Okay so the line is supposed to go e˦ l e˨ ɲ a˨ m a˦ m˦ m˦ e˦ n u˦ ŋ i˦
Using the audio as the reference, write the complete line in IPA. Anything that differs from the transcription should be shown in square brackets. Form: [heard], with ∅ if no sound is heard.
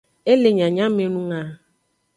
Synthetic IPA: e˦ l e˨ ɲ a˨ [ɲ] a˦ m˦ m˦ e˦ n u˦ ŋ [a˦]